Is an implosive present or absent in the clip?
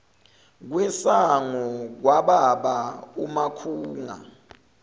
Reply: present